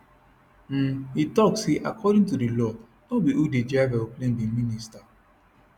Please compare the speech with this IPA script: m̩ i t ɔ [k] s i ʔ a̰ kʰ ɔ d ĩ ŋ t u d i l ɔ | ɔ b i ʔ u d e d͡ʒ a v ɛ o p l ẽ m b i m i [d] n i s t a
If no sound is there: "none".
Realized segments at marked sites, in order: k, none

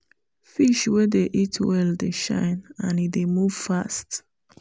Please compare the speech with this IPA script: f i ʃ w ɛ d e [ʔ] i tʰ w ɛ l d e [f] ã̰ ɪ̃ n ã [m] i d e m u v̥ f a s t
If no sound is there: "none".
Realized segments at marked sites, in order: ʔ, ʃ, n

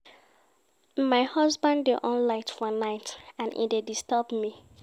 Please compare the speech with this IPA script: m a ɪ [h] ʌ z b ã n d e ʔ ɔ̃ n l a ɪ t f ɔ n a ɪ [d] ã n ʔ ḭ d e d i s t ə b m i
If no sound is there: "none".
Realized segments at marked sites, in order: h, t

